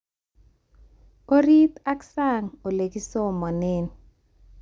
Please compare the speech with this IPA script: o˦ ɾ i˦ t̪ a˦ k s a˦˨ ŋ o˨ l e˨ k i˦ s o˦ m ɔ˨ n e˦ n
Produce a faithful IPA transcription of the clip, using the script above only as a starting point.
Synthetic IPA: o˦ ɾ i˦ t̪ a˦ k s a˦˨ ŋ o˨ l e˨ k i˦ s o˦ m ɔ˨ n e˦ n